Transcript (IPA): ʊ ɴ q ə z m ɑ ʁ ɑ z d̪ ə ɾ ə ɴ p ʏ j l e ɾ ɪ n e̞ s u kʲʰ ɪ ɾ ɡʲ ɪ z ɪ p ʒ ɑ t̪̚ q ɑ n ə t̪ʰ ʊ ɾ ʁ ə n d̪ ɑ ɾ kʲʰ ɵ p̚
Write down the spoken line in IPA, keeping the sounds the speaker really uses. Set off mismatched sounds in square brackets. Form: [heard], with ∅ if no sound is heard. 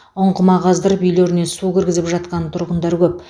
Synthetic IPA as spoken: ʊ ɴ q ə [∅] m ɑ ʁ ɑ z d̪ ə ɾ ə [∅] p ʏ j l e ɾ ɪ n e̞ s u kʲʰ ɪ ɾ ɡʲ ɪ z ɪ p ʒ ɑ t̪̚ q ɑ n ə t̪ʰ ʊ ɾ ʁ ə n d̪ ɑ ɾ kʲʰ ɵ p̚